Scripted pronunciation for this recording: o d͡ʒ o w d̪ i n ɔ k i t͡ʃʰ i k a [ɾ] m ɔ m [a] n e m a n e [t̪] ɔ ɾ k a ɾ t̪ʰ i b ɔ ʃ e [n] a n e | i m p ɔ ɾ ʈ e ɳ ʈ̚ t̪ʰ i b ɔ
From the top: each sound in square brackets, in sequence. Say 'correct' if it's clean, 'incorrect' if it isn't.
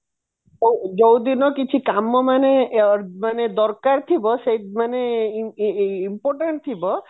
incorrect: none, correct, incorrect: d̪, incorrect: m

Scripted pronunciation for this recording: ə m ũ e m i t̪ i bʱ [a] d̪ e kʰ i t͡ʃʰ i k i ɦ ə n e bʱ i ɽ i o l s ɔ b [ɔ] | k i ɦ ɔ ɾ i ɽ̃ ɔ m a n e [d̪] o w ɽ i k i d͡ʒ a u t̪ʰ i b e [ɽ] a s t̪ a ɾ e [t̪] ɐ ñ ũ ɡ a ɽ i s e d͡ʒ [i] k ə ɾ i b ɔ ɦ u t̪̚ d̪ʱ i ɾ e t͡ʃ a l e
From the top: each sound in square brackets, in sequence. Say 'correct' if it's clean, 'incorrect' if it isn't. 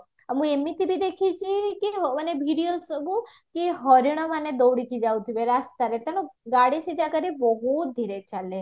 incorrect: i, incorrect: u, correct, incorrect: ɾ, correct, incorrect: a

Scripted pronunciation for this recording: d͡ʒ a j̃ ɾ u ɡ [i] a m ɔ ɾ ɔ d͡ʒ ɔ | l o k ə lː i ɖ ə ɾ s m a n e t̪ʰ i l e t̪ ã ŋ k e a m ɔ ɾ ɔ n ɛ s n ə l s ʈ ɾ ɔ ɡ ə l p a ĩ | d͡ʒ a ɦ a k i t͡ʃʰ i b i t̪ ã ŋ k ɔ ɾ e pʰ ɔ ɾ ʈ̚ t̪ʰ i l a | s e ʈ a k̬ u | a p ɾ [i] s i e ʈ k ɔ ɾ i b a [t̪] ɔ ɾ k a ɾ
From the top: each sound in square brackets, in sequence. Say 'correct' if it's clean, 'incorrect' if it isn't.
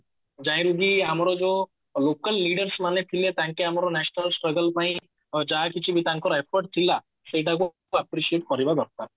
correct, correct, incorrect: d̪

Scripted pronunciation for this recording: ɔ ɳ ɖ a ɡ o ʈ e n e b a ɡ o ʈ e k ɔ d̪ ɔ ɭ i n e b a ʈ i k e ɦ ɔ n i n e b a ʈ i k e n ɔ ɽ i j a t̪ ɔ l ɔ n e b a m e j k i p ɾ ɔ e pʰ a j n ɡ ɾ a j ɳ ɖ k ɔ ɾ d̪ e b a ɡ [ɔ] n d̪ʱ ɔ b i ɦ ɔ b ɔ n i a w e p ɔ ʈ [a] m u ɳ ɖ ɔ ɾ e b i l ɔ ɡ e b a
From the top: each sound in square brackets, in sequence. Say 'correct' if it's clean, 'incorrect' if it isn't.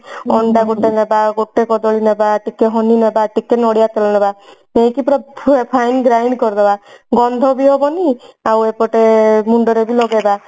correct, incorrect: e

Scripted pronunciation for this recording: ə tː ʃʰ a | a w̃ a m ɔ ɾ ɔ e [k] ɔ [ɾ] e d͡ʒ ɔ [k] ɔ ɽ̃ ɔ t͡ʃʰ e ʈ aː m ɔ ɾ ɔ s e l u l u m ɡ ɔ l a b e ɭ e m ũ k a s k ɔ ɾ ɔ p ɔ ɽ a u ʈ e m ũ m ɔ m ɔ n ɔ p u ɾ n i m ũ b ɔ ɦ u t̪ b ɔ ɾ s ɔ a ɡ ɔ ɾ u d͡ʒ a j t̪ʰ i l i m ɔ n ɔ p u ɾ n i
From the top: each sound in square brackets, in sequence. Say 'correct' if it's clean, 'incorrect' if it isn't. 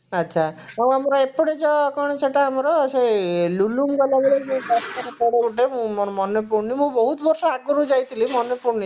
incorrect: p, incorrect: ɽ, correct

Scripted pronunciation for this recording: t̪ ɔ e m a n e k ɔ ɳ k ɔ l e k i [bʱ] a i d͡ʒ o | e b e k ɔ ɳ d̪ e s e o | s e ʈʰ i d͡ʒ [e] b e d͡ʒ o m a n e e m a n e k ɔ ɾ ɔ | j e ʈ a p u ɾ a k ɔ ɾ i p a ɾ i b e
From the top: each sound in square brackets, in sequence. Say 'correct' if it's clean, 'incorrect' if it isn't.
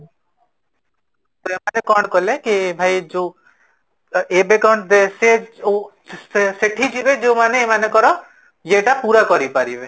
correct, incorrect: i

